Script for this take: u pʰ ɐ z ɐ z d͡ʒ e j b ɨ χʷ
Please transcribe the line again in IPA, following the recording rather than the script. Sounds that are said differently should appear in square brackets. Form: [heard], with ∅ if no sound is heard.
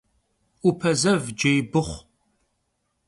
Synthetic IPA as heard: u pʰ ɐ z ɐ [v] d͡ʒ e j b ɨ χʷ